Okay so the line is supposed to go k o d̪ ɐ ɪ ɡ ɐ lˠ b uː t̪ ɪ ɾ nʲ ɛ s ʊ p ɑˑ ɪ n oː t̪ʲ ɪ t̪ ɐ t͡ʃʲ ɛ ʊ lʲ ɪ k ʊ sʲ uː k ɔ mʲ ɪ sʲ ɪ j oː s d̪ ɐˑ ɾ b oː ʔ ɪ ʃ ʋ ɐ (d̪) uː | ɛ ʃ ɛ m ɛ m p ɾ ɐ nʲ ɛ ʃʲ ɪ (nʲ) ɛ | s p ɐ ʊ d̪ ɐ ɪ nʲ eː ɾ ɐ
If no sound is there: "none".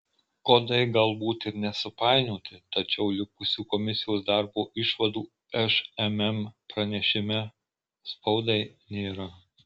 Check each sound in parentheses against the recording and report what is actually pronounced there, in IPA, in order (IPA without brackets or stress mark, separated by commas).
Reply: d̪, mʲ